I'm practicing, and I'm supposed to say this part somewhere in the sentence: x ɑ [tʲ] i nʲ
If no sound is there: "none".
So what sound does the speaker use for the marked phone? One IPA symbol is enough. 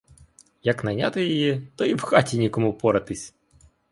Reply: tʲ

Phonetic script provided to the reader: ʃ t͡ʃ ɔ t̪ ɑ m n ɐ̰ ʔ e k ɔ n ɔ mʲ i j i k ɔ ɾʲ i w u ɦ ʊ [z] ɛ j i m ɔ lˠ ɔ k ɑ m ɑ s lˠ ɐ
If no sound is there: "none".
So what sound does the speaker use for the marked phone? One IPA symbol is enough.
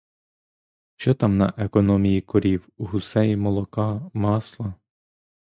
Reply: s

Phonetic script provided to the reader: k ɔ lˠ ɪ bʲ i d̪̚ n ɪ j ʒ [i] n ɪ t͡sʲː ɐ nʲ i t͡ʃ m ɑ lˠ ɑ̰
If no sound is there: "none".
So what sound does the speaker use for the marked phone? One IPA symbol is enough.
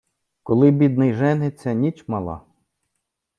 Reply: ɛ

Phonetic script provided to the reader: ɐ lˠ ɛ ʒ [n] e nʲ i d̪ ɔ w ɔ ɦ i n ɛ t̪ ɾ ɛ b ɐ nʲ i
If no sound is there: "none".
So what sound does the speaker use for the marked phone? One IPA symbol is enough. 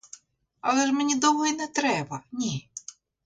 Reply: m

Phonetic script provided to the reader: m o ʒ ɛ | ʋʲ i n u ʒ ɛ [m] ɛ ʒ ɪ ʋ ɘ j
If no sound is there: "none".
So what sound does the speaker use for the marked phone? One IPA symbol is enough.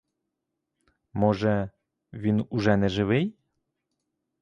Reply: n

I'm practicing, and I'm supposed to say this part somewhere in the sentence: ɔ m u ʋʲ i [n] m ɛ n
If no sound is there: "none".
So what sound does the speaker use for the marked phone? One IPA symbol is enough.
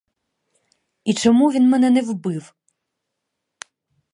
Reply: n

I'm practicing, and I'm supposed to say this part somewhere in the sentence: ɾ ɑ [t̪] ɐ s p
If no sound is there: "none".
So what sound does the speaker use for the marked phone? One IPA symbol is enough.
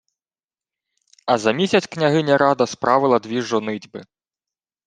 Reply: d̪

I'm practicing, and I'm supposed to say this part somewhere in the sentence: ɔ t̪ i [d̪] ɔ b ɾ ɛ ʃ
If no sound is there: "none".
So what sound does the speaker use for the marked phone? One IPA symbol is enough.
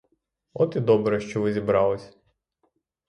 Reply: d̪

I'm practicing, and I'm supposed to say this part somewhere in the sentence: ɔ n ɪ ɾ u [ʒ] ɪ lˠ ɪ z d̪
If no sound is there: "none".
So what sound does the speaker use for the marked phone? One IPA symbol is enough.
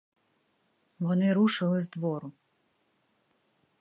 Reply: ʃ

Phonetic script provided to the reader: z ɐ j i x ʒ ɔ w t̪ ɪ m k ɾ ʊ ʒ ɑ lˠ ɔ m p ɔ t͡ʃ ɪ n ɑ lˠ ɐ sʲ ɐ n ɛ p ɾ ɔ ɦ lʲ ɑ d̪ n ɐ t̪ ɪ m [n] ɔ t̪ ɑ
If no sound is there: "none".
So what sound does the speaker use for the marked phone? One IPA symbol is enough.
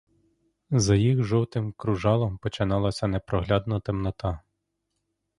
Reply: n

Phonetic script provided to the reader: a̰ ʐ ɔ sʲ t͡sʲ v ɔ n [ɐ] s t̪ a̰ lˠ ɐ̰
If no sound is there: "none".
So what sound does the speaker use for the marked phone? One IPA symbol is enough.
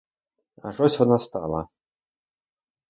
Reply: a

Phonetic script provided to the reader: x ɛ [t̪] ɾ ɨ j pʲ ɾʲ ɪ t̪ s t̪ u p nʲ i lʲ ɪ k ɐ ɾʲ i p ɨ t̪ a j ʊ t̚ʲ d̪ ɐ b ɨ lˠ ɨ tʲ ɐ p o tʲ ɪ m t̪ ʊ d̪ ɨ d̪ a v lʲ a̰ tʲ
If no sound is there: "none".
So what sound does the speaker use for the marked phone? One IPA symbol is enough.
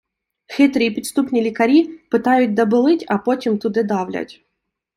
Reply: t̪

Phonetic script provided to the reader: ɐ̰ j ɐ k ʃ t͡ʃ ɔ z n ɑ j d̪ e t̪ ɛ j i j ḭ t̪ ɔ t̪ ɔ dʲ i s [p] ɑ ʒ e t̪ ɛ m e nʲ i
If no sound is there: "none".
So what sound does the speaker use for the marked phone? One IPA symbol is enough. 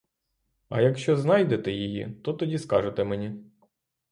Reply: k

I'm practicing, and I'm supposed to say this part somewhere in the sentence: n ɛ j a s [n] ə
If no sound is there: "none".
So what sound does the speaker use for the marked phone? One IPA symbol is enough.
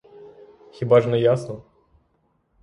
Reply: n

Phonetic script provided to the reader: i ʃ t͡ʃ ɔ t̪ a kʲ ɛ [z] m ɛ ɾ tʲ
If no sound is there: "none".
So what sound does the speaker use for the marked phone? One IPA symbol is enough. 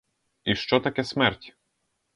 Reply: s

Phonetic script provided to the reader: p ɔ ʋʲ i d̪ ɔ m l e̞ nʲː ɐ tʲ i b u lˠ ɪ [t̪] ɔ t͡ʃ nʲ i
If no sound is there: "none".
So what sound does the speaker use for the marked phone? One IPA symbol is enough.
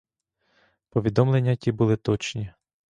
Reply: t̪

